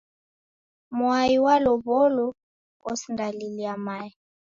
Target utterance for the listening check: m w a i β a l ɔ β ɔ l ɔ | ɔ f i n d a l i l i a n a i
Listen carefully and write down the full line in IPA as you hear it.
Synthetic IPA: m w a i w a l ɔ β ɔ l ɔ | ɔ s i n d a l i l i a m a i